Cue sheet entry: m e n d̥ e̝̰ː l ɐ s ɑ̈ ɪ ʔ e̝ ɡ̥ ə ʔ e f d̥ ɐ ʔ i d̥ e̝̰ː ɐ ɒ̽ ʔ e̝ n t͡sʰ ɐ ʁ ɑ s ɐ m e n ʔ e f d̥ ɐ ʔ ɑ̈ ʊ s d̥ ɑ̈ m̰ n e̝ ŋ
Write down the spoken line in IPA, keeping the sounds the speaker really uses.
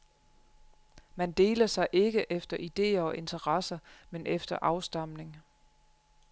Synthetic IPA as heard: m æ n d̥ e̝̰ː l ɐ s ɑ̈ ɪ ʔ e̝ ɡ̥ ə ʔ e f d̥ ɐ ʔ i d̥ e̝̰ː ɐ ɒ̽ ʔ e̝ n t͡sʰ ɐ ʁ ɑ s ɐ m e n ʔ e f d̥ ɐ ʔ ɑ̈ ʊ s d̥ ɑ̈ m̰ n e̝ ŋ

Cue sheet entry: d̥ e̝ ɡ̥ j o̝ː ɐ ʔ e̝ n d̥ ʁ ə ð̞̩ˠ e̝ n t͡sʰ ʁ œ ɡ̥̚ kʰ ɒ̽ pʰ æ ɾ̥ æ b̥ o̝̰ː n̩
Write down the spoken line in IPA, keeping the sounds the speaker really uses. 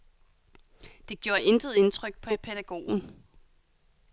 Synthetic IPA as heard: d̥ e̝ ɡ̥ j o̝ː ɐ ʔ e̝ n d̥ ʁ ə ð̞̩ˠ e̝ n t͡sʰ ʁ œ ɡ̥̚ pʰ ɒ̽ pʰ e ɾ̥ æ ɡ̥ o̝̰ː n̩

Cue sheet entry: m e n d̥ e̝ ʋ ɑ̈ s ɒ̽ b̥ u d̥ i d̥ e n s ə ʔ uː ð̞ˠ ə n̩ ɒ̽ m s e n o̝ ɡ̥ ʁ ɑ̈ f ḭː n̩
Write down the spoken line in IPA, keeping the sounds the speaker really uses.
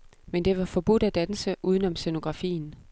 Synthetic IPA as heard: m e n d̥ e̝ ʋ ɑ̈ f ɒ̽ b̥ u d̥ æ d̥ æ n s ə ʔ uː ð̞ˠ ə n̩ ɒ̽ m s e n o̝ ɡ̥ ʁ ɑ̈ f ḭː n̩

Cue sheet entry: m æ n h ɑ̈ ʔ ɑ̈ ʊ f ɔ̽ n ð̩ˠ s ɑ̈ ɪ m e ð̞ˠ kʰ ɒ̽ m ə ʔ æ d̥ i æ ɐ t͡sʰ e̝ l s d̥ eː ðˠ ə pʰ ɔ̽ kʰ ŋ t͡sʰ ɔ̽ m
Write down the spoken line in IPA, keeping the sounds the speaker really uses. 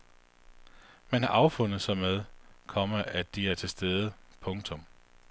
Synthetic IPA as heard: m æ n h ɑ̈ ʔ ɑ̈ ʊ f ɔ̽ n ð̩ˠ s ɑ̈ ɪ m e ð̞ˠ kʰ ɒ̽ m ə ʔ æ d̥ i æ ɐ t͡sʰ e̝ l s d̥ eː ðˠ ə pʰ ɔ̽ ŋ t͡sʰ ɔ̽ m

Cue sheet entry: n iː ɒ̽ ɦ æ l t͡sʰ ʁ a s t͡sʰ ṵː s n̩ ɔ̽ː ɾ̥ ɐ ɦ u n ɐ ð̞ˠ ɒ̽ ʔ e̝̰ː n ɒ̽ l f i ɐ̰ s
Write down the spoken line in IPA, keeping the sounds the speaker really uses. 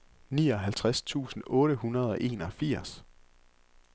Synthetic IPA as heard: n iː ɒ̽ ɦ æ l t͡sʰ ʁ a s t͡sʰ ṵː s n̩ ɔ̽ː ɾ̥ ə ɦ u n ɐ ð̞ˠ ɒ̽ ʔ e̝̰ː n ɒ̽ f i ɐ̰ s

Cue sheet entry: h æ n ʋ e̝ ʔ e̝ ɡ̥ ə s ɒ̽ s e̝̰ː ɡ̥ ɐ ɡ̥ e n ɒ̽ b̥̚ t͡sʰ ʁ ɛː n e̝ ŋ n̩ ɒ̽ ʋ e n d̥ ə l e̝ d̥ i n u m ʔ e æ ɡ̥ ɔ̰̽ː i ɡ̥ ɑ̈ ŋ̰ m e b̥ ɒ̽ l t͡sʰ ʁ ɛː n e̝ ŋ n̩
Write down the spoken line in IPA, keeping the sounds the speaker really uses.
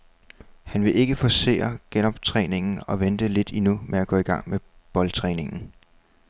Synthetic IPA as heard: h æ n ʋ e̝ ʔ e̝ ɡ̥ ə f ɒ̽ s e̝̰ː ɐ ɡ̥ e n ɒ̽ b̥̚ t͡sʰ ʁ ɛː n e̝ ŋ n̩ ɒ̽ ʋ e n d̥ ə l e̝ d̥ i n u m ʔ e æ ɡ̥ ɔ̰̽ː i ɡ̥ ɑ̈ ŋ̰ m e b̥ ɒ̽ l t͡sʰ ʁ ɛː n e̝ ŋ n̩

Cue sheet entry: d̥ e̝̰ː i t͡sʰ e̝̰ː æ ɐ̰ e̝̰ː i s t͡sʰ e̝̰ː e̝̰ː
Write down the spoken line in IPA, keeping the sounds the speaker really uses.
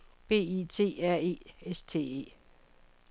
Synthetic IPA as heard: b̥ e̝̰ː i t͡sʰ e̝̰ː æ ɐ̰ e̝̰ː e s t͡sʰ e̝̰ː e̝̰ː

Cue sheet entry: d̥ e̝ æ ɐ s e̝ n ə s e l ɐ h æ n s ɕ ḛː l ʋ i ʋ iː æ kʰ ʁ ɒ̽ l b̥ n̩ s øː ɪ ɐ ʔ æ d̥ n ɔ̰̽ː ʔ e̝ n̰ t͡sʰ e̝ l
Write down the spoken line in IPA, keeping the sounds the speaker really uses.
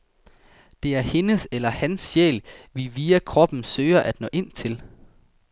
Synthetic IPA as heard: d̥ e̝ æ ɐ h e̝ n ə s e l ɐ h æ n s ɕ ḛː l ʋ i ʋ iː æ kʰ ʁ ɒ̽ b̥ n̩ s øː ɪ ɐ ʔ æ d̥ n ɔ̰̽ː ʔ e̝ n̰ t͡sʰ e̝ l

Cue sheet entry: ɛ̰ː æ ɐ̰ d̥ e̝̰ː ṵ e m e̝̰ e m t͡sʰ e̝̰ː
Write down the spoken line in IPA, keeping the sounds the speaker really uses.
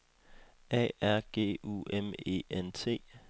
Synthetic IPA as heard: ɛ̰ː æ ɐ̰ ɡ̥ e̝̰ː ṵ e m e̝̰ e n t͡sʰ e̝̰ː

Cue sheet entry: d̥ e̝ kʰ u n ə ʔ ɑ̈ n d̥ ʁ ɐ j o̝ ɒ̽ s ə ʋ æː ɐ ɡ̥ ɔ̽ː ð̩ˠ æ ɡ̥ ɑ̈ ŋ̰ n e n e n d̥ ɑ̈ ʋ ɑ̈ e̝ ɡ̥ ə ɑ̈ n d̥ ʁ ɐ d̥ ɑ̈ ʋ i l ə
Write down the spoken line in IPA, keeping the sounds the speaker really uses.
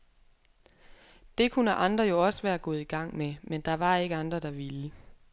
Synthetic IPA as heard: d̥ e̝ kʰ u n ə ʔ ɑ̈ n d̥ ʁ ɐ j o̝ ɒ̽ s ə ʋ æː ɐ ɡ̥ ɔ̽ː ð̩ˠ i ɡ̥ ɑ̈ ŋ̰ m e m e n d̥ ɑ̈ ʋ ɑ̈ e̝ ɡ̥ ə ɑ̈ n d̥ ʁ ɐ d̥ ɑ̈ ʋ i l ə

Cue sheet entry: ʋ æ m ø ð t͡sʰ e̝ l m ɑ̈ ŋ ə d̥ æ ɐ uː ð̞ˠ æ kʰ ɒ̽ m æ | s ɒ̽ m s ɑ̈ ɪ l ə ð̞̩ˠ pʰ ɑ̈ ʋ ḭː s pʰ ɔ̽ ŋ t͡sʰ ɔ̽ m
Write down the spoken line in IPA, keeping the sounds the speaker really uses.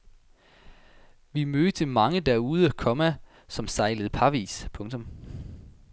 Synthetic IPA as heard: ʋ i m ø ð t͡sʰ e̝ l m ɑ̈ ŋ ə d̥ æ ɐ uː ð̞ˠ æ kʰ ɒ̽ m æ | s ɒ̽ m s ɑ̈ ɪ l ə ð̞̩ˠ pʰ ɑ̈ ʋ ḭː s pʰ ɔ̽ ŋ t͡sʰ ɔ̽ m

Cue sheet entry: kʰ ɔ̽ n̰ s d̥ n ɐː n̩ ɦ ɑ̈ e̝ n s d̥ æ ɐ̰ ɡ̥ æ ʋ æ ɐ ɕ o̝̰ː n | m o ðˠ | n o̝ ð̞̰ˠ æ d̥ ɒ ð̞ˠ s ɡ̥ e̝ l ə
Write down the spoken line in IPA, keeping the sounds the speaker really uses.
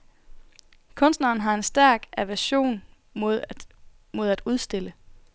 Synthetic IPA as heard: kʰ ɔ̽ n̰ s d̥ n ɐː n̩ ɦ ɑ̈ e̝ n s d̥ æ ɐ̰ ɡ̥ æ ʋ æ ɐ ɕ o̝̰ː n | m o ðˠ | m o̝ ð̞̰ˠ æ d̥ u ð̞ˠ s d̥ e̝ l ə

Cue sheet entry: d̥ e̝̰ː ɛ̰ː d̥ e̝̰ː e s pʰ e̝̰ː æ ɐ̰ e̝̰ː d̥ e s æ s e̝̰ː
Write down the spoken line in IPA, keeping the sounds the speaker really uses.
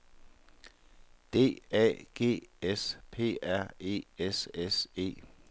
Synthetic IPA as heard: d̥ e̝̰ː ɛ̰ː ɡ̥ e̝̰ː e s pʰ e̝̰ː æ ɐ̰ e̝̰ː e s e s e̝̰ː

